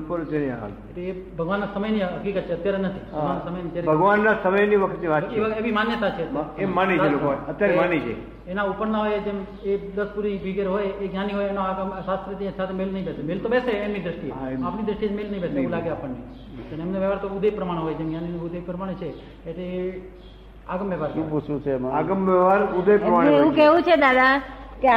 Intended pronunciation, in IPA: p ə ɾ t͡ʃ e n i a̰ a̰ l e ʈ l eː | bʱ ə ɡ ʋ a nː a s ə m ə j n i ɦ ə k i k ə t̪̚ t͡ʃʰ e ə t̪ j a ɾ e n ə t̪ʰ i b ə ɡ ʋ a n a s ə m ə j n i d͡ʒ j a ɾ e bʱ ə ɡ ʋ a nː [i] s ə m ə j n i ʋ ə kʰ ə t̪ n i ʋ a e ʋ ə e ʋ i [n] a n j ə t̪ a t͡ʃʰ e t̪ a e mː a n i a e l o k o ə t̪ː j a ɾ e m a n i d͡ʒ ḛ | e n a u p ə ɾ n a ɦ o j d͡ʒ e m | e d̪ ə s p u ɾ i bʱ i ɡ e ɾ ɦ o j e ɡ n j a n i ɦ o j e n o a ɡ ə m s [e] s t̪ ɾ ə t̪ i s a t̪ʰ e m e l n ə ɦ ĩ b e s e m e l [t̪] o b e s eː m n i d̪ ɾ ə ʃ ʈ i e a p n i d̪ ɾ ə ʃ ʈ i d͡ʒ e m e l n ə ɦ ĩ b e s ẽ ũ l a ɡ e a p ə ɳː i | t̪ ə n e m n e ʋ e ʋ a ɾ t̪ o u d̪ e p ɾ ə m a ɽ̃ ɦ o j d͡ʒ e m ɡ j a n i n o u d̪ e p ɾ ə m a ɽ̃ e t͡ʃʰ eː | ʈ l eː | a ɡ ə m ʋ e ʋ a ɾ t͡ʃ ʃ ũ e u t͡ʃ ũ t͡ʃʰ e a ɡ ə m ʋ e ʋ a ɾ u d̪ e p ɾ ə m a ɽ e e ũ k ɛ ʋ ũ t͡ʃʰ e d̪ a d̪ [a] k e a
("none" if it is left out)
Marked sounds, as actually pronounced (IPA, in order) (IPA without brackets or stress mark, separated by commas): a, m, a, t̪, a